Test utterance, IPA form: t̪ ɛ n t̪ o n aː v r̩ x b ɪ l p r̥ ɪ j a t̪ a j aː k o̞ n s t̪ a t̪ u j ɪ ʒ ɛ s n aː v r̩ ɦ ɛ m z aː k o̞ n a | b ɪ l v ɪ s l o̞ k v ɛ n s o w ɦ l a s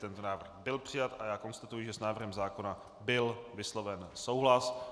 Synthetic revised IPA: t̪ ɛ n t̪ o n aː v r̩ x b ɪ l p r̥ ɪ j a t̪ a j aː k o̞ n s t̪ a t̪ u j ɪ ʒ ɛ s n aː v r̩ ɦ ɛ m z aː k o̞ n a | b ɪ l v ɪ s l o̞ v ɛ n s o w ɦ l a s